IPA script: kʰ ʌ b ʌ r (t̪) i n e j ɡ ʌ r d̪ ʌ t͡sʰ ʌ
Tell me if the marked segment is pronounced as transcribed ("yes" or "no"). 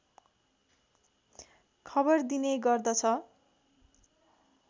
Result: no